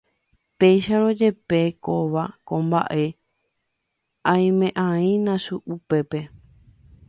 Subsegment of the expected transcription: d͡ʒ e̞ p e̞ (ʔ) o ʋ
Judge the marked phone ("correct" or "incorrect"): incorrect